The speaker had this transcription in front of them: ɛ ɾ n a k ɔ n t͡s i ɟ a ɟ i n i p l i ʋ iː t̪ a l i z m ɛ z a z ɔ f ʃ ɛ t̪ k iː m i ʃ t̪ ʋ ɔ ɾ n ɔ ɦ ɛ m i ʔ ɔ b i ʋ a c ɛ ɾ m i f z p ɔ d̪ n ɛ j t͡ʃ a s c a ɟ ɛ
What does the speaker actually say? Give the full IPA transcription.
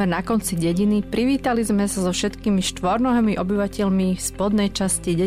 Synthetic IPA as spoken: ɛ ɾ n a k ɔ n t͡s i ɟ ɛ ɟ i n i p ɾ i ʋ iː t̪ a l i z m ɛ s a z ɔ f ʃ ɛ t̪ k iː m i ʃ t̪ ʋ ɔ ɾ n ɔ ɦ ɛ m i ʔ ɔ b i ʋ a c ɛ ʎ m i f s p ɔ d̪ n ɛ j t͡ʃ a s c i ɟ ɛ